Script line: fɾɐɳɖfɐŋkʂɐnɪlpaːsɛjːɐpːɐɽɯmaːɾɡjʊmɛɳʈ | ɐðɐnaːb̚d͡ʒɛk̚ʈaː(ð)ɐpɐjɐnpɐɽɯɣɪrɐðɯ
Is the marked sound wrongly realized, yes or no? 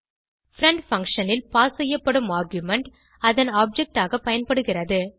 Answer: yes